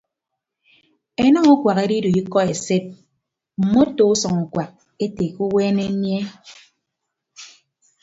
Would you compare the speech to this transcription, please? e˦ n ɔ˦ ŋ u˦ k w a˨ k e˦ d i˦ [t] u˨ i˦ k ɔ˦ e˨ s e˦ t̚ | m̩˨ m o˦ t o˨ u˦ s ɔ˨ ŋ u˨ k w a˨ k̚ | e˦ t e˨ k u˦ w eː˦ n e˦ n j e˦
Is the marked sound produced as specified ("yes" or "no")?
no